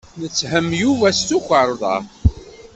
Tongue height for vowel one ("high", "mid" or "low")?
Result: mid